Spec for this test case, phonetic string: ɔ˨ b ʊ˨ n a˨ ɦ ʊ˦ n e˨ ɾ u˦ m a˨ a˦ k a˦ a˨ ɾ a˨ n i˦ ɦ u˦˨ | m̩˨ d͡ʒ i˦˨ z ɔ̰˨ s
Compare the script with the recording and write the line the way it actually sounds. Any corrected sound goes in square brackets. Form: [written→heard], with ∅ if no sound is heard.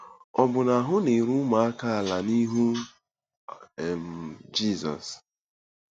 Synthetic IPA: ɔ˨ b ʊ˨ n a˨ ɦ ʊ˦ n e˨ ɾ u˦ m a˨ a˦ k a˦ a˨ [ɾ→l] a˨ n i˦ ɦ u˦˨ | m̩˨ d͡ʒ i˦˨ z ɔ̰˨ s